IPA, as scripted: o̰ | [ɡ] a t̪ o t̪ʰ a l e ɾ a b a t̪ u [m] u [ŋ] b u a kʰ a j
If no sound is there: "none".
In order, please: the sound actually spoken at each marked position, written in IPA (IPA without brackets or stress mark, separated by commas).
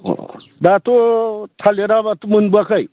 d, m, n